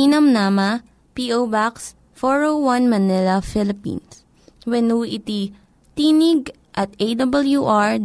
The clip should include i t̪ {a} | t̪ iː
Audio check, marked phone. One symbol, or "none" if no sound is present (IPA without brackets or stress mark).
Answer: i